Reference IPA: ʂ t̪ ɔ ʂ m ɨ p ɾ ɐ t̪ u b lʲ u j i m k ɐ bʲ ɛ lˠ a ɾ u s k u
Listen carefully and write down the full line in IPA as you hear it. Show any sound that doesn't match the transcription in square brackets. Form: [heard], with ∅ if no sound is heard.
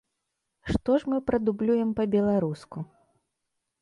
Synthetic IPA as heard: ʂ t̪ ɔ ʂ m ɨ p ɾ ɐ [d̪] u b lʲ u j [ɛ] m [p] ɐ bʲ ɛ lˠ a ɾ u s k u